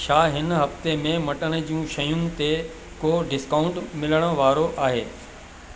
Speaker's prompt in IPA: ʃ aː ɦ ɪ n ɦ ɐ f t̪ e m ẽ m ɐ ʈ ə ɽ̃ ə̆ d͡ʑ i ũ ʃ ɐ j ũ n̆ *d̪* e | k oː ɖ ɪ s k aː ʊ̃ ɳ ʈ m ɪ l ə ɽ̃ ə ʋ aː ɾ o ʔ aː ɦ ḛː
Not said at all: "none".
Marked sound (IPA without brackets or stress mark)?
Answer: t̪